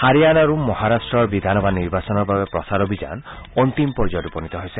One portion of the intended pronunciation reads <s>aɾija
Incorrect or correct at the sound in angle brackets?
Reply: incorrect: h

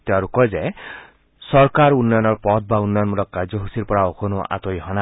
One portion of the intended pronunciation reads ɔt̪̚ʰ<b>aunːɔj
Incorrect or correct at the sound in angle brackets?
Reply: correct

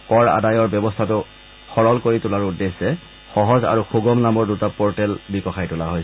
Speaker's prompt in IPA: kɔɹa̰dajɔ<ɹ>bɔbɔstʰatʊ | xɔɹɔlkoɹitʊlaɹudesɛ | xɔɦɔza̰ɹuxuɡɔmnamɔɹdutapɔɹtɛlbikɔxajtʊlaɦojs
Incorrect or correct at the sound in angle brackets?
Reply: correct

